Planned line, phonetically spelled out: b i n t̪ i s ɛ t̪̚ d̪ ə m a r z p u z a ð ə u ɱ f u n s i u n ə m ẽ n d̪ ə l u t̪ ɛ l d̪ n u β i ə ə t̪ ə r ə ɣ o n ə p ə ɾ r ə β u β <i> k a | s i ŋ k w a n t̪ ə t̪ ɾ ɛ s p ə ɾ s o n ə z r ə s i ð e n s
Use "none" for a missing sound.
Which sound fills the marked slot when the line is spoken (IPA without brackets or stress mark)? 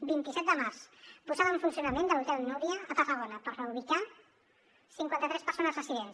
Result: i